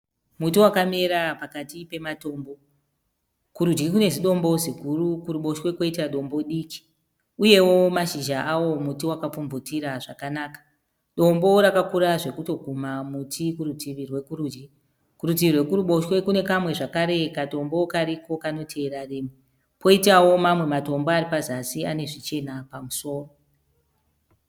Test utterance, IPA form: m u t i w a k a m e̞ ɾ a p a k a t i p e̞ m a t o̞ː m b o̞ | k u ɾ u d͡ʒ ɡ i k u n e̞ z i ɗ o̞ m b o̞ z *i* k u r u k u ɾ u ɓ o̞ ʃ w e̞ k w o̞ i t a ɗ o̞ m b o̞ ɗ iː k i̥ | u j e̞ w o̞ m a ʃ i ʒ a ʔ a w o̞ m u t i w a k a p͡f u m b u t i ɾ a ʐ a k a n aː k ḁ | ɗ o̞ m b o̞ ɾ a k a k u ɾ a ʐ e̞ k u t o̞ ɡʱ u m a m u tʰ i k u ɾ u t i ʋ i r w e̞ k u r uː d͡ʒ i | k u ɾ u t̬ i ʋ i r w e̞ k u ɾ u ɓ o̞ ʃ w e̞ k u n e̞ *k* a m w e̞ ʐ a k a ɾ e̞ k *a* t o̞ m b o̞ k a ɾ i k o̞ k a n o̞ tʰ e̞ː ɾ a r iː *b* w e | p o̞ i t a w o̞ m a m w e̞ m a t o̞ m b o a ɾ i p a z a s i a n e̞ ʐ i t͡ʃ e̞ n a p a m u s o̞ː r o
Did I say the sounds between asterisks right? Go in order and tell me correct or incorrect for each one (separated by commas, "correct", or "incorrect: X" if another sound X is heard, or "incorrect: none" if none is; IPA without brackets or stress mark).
correct, correct, correct, incorrect: m